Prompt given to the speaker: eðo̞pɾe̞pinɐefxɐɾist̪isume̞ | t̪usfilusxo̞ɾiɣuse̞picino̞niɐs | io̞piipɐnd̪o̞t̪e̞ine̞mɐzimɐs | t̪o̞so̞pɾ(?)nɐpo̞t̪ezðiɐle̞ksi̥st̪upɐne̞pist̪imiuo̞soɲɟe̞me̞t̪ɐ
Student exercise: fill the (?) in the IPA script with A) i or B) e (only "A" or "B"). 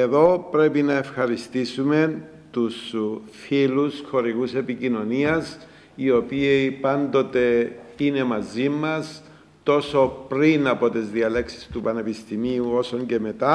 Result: A